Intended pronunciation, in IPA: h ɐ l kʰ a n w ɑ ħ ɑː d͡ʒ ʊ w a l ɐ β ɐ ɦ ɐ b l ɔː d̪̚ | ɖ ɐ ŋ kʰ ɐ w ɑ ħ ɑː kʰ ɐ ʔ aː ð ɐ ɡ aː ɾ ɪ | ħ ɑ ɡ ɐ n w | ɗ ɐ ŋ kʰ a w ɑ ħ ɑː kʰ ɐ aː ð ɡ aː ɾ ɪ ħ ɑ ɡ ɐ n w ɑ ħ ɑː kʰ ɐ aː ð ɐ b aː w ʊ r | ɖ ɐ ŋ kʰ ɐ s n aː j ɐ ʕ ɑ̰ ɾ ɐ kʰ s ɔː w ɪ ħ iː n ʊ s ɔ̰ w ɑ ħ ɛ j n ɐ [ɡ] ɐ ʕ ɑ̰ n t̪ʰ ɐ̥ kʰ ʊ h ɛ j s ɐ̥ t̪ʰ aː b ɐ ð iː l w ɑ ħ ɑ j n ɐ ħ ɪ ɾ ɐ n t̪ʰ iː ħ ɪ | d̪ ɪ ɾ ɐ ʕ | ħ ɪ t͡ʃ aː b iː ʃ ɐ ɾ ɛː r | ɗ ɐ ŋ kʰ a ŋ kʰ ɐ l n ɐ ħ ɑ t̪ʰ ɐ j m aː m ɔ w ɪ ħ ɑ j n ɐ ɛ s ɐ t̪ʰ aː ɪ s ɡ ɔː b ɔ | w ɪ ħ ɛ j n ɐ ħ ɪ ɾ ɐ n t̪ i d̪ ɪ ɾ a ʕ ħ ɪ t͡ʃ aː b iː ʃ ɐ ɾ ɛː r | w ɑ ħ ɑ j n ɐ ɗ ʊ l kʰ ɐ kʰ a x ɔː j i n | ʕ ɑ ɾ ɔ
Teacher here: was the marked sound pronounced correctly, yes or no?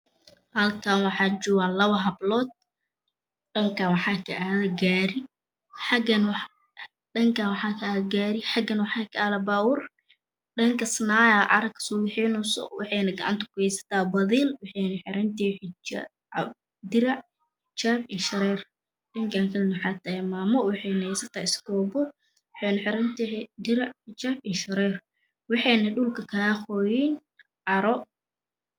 yes